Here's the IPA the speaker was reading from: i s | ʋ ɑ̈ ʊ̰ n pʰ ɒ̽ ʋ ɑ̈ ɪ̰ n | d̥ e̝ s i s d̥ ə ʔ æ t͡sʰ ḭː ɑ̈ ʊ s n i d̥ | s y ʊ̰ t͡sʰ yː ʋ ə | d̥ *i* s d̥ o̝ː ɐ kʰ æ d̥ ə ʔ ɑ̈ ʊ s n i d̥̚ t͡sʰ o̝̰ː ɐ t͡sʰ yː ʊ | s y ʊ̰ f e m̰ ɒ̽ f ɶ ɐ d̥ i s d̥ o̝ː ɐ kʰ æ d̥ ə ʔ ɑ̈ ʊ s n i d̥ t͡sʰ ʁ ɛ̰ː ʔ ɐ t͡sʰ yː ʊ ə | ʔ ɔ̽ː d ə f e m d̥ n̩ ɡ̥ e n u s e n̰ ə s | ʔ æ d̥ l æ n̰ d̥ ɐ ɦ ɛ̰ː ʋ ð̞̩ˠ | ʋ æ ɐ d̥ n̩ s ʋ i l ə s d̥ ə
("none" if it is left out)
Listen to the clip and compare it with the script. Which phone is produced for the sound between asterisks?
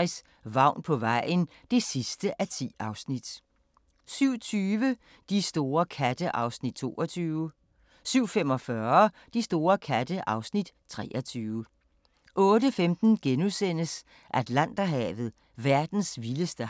i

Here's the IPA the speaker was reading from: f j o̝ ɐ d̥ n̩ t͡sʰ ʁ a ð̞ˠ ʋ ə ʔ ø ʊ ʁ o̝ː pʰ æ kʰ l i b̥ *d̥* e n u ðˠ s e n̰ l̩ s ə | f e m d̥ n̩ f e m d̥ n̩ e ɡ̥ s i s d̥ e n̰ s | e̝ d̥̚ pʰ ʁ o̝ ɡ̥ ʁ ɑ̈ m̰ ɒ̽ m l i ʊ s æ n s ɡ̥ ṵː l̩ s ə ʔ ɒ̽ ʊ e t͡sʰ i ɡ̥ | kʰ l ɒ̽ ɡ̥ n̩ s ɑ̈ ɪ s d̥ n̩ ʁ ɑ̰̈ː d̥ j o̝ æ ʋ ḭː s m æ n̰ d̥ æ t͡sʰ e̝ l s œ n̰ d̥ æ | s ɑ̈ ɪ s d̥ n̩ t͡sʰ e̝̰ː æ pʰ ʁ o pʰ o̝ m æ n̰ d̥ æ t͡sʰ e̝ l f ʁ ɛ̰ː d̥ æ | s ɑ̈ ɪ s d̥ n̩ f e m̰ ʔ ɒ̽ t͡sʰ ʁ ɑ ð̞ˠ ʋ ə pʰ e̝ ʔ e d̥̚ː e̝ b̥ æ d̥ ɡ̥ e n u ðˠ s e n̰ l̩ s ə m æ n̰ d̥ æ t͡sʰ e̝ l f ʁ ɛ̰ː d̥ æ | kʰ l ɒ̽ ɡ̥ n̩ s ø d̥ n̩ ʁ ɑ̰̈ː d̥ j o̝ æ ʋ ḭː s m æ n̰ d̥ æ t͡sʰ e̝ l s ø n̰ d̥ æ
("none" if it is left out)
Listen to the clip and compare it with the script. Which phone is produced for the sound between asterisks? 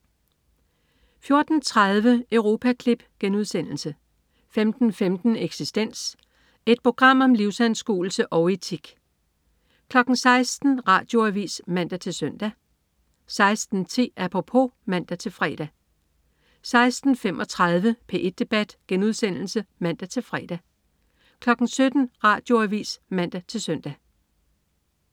ɡ̥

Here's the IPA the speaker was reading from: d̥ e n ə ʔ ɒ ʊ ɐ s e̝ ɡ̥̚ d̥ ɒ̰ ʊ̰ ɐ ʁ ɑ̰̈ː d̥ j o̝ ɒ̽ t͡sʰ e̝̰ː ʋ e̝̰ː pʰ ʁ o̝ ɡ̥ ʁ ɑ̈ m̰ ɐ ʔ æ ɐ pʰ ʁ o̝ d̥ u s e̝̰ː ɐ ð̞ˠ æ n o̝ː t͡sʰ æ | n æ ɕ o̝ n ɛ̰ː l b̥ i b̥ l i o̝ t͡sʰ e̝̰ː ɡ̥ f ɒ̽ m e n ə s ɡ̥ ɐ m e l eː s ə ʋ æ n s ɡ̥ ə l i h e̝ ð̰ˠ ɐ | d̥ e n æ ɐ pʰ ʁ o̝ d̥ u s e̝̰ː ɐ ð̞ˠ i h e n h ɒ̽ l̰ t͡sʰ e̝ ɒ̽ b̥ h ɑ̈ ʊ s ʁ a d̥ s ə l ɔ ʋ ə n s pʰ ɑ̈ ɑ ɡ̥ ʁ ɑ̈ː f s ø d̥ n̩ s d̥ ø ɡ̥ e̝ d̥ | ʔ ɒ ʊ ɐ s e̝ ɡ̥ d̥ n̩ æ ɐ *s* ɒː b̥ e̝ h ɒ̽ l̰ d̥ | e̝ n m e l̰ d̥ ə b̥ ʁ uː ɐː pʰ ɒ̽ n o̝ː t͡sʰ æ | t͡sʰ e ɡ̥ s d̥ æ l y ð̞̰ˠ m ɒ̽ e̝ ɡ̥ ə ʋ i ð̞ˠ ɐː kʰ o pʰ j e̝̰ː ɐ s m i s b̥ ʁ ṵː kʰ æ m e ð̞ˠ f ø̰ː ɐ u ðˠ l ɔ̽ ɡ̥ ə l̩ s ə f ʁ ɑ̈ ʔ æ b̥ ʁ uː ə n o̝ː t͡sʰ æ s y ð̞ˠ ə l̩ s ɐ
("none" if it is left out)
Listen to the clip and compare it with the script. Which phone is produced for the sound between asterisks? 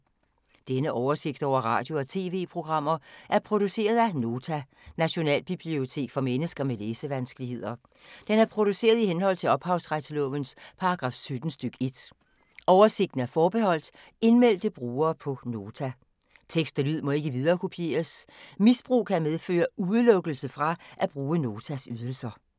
f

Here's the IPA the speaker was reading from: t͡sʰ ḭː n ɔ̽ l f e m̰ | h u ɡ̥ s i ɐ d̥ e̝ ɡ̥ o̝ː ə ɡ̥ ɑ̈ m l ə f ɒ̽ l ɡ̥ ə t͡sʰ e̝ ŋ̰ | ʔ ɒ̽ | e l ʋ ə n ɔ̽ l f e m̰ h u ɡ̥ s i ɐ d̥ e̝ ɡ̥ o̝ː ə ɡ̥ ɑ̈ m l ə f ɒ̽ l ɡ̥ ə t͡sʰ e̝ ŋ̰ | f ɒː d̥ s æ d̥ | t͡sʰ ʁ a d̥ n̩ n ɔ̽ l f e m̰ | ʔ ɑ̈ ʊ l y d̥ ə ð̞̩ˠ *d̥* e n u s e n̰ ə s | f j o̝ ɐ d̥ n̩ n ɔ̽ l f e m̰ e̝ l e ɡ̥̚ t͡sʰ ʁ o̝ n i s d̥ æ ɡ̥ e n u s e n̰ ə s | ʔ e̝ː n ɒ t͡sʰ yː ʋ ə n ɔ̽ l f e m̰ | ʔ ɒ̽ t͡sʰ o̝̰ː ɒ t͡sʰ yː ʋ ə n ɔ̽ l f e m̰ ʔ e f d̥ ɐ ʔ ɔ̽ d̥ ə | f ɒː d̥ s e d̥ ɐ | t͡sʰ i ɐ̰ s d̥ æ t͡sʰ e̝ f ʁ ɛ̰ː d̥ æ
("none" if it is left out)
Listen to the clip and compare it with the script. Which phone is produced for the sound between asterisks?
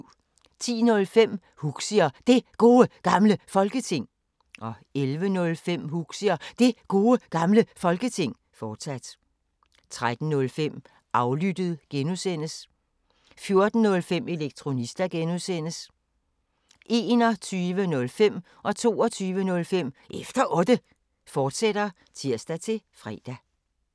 ɡ̥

